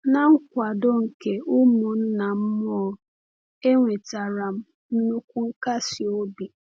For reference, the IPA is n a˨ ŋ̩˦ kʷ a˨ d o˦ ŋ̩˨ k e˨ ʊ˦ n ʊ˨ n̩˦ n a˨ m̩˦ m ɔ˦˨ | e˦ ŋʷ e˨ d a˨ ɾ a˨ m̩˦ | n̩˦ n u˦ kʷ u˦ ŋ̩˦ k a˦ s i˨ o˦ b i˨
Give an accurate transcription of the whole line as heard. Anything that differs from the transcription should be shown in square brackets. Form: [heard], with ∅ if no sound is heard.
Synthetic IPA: n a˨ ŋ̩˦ kʷ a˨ d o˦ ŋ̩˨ k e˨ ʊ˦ [m] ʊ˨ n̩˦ n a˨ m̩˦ m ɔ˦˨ | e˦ ŋʷ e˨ [t] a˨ ɾ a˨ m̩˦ | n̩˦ n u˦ kʷ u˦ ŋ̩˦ k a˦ s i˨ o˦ b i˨